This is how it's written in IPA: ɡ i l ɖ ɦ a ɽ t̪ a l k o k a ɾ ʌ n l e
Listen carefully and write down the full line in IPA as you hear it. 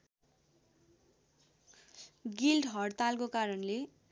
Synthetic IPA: ɡ i l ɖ ɦ ʌ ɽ t̪ a l k o k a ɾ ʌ n l e